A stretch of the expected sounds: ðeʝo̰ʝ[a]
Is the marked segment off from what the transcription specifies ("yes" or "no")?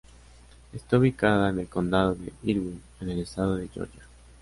no